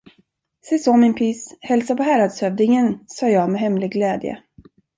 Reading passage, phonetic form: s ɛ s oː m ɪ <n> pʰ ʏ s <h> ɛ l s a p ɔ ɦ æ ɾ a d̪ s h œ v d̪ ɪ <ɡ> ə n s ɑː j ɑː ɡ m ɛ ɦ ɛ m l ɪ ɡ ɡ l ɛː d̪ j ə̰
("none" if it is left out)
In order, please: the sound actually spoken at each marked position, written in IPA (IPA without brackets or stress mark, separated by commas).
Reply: n, h, ŋ